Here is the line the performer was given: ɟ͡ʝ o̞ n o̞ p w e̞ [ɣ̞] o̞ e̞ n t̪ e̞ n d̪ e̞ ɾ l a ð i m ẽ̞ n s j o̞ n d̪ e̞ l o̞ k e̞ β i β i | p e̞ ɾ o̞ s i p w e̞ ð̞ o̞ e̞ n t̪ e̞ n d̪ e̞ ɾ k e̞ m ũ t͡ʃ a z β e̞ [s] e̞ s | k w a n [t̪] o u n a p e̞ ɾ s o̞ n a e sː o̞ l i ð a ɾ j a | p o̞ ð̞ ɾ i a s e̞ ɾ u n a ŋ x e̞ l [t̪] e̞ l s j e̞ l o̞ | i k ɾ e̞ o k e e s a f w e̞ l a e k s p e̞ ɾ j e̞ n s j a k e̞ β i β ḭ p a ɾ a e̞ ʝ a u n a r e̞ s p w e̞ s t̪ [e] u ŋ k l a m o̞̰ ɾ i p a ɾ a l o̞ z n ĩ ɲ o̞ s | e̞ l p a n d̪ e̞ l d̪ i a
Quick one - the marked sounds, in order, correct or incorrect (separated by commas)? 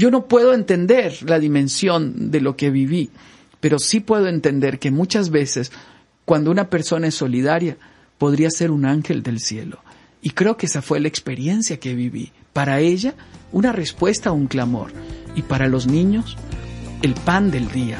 incorrect, correct, incorrect, incorrect, incorrect